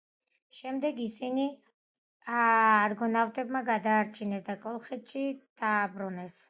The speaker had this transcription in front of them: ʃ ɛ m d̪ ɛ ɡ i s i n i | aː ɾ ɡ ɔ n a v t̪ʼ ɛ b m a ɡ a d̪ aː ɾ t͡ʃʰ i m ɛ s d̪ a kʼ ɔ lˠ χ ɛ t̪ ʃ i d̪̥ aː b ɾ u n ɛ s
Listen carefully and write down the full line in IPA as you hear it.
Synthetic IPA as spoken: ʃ ɛ m d̪ ɛ ɡ i s i n i | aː ɾ ɡ ɔ n a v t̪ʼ ɛ b m a ɡ a d̪ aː ɾ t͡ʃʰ i n ɛ s d̪ a kʼ ɔ lˠ χ ɛ t̪ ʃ i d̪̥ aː b ɾ u n ɛ s